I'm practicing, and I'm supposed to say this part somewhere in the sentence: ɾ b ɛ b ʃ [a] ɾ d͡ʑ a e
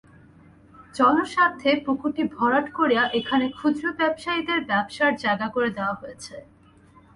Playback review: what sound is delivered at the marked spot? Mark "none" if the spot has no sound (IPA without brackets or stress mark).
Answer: a